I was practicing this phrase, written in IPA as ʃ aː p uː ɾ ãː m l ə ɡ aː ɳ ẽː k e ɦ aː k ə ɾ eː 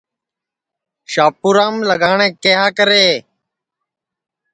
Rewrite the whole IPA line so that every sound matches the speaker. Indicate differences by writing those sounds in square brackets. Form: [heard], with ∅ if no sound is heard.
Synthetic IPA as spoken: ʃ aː p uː ɾ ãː m l ə ɡ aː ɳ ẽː k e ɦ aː k ə ɾ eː